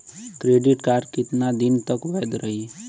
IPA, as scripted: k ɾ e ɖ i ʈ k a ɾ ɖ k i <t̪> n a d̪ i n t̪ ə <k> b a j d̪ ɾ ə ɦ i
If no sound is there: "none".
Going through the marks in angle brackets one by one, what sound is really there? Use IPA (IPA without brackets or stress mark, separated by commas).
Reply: t̪, k